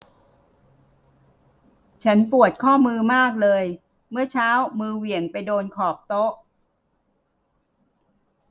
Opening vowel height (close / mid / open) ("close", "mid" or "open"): open